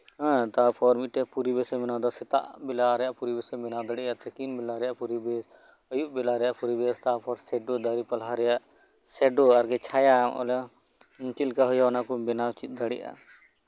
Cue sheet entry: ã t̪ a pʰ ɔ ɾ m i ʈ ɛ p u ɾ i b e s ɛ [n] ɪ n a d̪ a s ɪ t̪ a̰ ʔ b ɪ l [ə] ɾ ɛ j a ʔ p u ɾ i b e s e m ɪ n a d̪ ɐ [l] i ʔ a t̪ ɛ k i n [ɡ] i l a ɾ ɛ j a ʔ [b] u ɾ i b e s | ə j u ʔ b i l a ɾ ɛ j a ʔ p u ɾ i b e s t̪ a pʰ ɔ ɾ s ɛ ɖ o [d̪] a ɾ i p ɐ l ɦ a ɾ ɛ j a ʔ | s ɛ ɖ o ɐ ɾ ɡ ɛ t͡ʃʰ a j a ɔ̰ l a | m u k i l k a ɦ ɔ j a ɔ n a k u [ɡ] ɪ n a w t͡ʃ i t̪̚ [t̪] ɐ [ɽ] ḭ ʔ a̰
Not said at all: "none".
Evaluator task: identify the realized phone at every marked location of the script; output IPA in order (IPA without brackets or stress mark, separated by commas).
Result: m, a, ɽ, b, p, d̪, b, d̪, ɽ